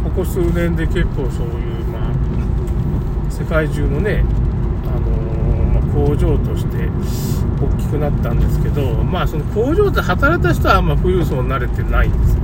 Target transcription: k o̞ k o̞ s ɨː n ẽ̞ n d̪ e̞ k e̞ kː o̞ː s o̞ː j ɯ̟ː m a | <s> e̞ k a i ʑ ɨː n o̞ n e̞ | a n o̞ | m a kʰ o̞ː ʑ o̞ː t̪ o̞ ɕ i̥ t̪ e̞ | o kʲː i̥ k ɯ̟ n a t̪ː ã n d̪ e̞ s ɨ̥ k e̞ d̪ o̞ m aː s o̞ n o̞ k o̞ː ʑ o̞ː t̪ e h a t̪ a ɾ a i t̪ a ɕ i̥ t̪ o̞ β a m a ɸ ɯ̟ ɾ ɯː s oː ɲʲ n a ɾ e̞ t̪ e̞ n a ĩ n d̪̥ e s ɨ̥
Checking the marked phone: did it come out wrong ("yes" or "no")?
no